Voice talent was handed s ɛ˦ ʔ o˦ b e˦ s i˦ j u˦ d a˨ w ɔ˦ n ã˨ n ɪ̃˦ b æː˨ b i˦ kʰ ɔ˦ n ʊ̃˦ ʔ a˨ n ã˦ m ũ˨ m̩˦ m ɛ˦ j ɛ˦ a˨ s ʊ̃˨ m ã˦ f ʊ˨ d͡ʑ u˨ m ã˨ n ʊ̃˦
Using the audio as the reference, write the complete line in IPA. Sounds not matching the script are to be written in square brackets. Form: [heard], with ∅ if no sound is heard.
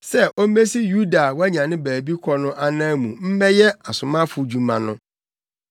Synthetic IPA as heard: s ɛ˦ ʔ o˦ [m] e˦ s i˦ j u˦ d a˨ w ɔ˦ [ɲ] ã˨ n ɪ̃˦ b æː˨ b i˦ kʰ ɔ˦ n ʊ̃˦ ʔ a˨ n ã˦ m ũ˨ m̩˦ m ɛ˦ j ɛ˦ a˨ s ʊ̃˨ m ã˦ f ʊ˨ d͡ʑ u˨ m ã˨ n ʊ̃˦

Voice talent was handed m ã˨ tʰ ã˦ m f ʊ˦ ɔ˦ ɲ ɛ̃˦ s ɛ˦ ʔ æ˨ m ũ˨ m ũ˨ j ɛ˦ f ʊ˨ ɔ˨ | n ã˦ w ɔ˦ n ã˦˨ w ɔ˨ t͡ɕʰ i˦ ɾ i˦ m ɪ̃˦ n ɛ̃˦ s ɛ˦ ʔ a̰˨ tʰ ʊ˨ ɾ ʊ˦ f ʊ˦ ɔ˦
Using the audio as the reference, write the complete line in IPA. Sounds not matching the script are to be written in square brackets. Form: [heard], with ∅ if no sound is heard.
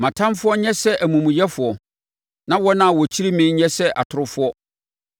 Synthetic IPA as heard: m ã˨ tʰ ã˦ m f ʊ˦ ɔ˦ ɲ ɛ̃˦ s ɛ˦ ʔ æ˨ m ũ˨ m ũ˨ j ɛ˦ f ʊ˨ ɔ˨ | n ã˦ w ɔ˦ n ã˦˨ w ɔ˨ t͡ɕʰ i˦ ɾ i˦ m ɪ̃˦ [ɲ] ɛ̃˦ s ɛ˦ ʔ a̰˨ tʰ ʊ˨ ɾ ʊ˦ f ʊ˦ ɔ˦

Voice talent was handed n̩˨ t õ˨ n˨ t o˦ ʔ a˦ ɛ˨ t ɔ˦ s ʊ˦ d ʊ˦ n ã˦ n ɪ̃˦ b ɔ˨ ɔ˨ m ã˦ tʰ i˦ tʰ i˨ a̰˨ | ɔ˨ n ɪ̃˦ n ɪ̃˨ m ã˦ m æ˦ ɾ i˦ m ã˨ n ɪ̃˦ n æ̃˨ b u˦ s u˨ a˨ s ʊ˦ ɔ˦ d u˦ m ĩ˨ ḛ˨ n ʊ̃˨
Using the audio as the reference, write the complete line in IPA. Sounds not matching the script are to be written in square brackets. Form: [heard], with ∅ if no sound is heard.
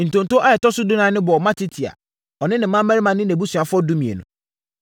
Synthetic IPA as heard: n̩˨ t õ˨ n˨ t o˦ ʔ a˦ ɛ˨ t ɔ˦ s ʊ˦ d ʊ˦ n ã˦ n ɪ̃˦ b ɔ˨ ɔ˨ m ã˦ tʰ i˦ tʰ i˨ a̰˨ | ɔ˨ n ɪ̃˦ n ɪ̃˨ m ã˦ m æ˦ ɾ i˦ m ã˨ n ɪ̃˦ n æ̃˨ b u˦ s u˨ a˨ [f] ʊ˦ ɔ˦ d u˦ m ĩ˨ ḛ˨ n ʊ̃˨

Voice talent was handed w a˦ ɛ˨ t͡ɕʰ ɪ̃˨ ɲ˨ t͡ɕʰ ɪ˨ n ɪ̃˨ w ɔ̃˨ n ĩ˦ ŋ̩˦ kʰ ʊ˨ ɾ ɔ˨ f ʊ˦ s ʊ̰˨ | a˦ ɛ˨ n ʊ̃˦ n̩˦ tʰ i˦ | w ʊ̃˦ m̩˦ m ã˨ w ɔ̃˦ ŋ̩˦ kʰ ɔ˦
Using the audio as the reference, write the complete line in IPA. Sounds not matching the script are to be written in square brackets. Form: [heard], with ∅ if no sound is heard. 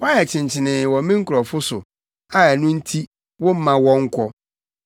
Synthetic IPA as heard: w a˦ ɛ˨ t͡ɕʰ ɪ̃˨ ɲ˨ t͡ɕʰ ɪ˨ n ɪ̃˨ w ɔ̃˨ [m] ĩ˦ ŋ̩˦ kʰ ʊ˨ ɾ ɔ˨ f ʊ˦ s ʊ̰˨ | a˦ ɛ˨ n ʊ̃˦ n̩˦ tʰ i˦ | w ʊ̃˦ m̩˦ m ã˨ w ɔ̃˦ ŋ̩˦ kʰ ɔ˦

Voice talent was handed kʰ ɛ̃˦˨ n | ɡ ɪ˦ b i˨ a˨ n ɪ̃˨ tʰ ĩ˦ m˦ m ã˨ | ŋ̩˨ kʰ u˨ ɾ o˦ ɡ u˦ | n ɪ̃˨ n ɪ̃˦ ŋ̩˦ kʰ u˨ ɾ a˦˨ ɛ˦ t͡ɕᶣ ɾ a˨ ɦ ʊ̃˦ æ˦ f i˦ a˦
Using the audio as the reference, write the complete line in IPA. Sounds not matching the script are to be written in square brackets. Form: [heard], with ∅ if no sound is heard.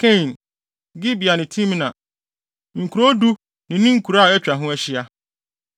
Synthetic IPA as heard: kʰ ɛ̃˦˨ n | ɡ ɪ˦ b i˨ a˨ n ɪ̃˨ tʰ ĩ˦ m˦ [n] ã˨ | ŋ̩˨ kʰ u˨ ɾ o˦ [d] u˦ | n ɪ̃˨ n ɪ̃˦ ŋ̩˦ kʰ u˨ ɾ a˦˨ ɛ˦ t͡ɕᶣ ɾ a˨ ɦ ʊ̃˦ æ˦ [ɕ] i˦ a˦

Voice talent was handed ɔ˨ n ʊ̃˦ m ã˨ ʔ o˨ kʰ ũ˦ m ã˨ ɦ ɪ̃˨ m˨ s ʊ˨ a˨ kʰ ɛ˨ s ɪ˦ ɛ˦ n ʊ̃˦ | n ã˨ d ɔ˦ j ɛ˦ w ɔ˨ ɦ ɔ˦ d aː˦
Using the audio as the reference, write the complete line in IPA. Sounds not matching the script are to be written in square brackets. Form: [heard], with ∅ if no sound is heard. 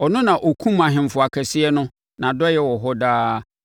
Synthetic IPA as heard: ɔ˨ n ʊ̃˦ [n] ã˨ ʔ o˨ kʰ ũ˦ m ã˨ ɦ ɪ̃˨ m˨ [f] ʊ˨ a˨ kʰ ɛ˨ s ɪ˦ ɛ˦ n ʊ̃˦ | n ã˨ d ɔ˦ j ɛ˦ w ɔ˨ ɦ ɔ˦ d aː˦

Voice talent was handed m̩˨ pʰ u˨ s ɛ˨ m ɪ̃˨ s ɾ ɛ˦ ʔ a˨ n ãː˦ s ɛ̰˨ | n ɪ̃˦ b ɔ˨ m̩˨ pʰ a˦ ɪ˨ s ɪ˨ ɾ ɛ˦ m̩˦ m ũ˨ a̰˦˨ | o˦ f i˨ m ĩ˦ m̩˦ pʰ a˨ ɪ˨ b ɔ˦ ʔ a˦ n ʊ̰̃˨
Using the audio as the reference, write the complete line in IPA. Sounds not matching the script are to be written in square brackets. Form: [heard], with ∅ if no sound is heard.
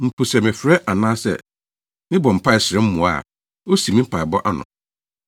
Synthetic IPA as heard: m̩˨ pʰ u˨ s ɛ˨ m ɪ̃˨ [f] ɾ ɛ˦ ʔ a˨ n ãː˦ s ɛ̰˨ | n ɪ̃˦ b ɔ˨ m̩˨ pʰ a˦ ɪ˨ s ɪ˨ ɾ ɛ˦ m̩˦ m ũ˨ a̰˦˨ | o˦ [s] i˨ m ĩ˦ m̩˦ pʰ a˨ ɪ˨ b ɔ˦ ʔ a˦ n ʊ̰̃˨

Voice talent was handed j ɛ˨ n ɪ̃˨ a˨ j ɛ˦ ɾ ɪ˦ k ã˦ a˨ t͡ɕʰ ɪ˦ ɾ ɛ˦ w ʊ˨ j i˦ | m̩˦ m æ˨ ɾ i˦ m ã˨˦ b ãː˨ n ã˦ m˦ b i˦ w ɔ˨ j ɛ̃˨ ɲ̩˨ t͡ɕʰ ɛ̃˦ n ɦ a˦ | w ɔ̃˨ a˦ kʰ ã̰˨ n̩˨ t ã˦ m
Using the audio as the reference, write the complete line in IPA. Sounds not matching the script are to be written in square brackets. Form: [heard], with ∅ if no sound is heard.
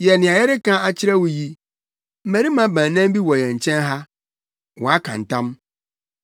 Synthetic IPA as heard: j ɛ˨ n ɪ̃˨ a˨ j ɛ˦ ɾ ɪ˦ k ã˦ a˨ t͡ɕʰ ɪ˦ ɾ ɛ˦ w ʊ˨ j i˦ | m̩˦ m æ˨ ɾ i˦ m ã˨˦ b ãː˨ n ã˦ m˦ b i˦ w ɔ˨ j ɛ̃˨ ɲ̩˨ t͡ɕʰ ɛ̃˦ n ɦ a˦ | w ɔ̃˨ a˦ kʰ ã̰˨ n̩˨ t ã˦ m

